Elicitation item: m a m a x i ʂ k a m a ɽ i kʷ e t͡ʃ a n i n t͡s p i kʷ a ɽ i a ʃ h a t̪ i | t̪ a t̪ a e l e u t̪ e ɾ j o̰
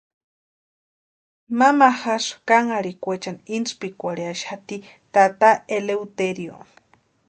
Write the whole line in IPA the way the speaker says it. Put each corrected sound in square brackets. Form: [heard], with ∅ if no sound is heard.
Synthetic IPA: m a m a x [a] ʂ k a [ŋ] a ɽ i kʷ e t͡ʃ a n i n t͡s p i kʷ a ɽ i a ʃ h a t̪ i | t̪ a t̪ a e l e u t̪ e ɾ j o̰

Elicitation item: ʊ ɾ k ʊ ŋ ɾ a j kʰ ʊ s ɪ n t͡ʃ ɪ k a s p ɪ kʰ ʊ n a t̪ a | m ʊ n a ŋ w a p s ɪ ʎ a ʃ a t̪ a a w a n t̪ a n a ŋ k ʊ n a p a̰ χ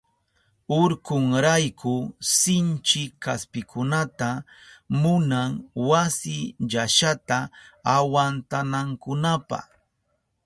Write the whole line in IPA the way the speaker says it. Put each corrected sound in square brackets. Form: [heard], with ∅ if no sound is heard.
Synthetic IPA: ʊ ɾ k ʊ ŋ ɾ a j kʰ ʊ s ɪ n t͡ʃ ɪ k a s p ɪ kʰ ʊ n a t̪ a | m ʊ n a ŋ w a [∅] s ɪ ʎ a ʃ a t̪ a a w a n t̪ a n a ŋ k ʊ n a p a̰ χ

